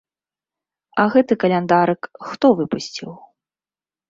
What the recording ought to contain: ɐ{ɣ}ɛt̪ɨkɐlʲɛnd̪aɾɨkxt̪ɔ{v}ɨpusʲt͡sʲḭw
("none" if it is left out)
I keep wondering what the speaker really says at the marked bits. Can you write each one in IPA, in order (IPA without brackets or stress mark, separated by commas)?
ɣ, v